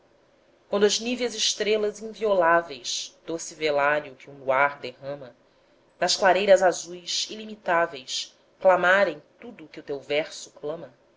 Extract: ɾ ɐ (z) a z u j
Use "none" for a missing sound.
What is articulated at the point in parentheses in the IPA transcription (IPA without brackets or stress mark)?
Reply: z